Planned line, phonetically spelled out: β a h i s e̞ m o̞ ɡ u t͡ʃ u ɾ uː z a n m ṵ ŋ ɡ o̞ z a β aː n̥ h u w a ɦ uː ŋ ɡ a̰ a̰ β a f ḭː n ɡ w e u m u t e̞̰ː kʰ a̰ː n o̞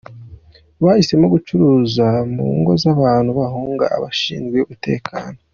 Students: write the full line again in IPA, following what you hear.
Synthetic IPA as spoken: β a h i s e̞ m o̞ ɡ u t͡ʃ u ɾ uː z a m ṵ ŋ ɡ o̞ z a β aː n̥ h u β a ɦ uː ŋ ɡ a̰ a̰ β a ʃ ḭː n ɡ w e u m u t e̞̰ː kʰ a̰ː n o̞